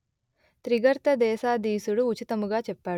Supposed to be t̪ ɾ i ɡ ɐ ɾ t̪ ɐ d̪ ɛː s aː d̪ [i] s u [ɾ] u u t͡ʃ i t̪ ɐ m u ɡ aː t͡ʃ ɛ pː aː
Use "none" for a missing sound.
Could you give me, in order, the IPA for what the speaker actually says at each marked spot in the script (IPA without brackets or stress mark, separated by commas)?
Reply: iː, ɽ